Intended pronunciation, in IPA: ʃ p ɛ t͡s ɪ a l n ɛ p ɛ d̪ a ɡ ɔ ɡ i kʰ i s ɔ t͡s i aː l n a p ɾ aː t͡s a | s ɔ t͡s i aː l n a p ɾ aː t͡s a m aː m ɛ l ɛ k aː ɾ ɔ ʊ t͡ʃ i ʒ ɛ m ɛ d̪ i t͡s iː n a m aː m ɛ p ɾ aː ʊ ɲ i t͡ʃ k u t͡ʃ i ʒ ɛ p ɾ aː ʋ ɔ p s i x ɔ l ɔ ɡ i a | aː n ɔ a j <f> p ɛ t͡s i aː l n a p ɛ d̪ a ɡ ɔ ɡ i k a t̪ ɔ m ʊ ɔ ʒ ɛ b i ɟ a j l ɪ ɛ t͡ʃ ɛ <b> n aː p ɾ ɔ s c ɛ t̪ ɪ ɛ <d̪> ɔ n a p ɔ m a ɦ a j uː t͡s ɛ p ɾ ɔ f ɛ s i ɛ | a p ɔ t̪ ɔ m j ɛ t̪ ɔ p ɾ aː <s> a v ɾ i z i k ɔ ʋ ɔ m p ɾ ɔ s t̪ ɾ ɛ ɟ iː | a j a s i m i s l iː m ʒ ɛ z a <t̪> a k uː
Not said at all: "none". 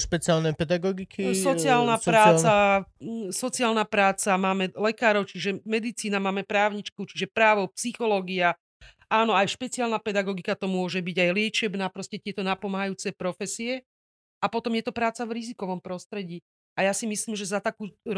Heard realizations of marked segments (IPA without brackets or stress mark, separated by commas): ʃ, b, t̪, t͡s, t̪